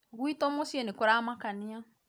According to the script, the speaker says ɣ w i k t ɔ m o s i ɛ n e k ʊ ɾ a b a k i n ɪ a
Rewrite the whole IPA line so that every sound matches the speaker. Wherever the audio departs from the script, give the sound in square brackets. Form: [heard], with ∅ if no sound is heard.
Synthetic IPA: ɣ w i [∅] t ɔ m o s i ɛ n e k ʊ ɾ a [m] a k [a] n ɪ a